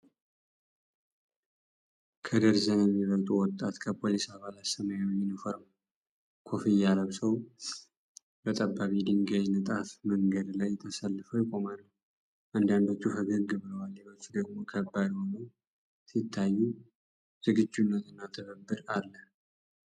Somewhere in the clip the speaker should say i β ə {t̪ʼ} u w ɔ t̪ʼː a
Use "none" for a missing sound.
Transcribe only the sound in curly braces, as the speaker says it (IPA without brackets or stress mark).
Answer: t̪ʼ